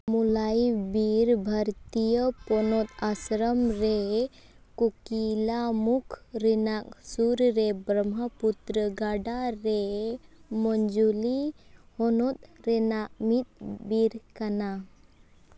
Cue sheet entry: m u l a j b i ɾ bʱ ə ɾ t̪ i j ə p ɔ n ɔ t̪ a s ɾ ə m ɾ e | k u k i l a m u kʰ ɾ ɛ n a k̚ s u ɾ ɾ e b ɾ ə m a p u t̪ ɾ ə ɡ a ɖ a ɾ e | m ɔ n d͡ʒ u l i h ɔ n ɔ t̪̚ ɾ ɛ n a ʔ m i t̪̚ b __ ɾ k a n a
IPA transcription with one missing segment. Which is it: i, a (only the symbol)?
i